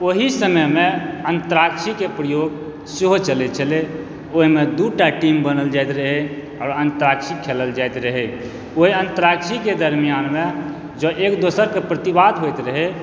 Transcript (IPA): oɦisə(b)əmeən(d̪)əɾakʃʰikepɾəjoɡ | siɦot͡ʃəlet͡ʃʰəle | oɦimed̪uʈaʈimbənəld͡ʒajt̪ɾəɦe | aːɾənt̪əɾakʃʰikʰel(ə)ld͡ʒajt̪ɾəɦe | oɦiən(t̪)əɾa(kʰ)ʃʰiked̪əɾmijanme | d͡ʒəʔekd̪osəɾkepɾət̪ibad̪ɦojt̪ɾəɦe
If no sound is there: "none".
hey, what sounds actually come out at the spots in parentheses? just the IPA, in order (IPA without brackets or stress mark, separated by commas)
m, t̪, ə, t̪, k